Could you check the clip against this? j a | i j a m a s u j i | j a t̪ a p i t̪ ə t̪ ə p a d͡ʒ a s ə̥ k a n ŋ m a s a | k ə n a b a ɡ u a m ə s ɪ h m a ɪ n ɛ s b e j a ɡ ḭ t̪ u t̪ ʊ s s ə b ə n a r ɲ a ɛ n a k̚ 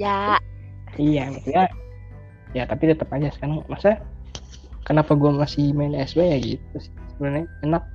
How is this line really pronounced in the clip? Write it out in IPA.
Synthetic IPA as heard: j a | i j a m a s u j a | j a t̪ a p i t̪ ə t̪ ə p a d͡ʒ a s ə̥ k a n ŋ m a s a | k ə n a p a ɡ u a m a s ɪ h m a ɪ n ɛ s b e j a ɡ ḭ t̪ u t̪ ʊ s s ə b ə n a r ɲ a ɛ n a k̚